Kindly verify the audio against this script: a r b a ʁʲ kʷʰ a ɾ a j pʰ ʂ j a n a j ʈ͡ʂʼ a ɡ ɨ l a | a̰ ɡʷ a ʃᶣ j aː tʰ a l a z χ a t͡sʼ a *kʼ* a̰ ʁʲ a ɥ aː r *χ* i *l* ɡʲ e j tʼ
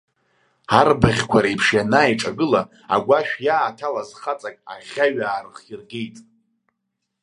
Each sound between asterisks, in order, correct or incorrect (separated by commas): correct, correct, incorrect